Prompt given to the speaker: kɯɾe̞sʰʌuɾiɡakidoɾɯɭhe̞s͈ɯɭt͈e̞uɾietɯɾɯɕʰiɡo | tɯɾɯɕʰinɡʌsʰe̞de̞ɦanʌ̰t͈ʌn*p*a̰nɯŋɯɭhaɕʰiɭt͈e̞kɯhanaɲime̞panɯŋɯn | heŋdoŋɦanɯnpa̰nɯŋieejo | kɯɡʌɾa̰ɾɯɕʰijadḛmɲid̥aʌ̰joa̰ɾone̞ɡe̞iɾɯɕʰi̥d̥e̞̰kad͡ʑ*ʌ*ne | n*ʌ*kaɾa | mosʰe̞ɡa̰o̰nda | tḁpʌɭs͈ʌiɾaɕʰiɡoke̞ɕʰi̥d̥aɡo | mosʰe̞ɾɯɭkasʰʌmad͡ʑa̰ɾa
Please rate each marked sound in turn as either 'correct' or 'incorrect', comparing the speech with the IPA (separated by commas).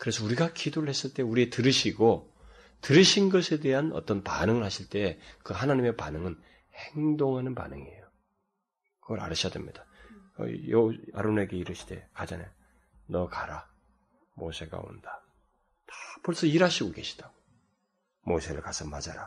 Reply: correct, incorrect, correct